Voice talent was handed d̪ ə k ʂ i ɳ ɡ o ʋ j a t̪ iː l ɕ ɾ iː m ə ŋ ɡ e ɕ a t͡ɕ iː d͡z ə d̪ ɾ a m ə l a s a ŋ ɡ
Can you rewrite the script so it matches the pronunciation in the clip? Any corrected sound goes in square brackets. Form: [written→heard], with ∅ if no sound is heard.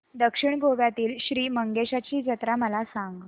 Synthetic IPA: d̪ ə k ʂ i ɳ ɡ o ʋ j a t̪ iː l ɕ ɾ iː m ə ŋ ɡ e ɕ a t͡ɕ iː d͡z ə [d̪→t̪] ɾ a m ə l a s a ŋ ɡ